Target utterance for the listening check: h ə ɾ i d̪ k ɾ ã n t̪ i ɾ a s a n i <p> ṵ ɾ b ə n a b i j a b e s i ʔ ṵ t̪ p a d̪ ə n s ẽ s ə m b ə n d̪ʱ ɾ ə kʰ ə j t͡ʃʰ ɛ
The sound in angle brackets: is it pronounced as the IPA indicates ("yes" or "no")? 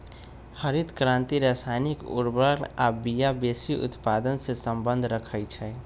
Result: no